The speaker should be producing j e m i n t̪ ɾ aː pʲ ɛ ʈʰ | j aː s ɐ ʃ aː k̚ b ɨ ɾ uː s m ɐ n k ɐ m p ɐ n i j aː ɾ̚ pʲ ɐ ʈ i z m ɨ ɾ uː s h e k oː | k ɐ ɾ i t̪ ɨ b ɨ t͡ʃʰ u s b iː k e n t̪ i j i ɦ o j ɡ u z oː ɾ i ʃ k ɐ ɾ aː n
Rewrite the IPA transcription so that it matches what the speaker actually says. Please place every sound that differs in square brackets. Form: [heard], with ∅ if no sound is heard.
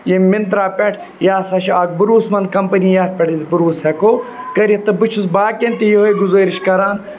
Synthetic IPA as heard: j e m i n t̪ ɾ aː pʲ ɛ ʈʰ | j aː s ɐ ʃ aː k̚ b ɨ ɾ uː s m ɐ n k ɐ m p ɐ n i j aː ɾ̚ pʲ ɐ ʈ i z [b] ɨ ɾ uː s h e k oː | k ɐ ɾ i t̪ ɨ b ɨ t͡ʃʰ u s b [aː] k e n t̪ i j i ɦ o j ɡ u z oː ɾ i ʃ k ɐ ɾ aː n